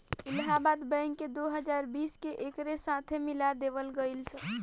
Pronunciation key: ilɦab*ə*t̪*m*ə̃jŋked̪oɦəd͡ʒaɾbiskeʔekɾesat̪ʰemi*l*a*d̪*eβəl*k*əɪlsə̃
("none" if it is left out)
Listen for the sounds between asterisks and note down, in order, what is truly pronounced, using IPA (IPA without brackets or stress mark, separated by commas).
a, b, l, d̪, ɡ